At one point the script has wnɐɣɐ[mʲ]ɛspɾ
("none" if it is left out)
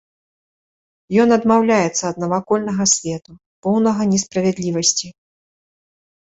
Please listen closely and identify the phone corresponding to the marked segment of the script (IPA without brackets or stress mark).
nʲ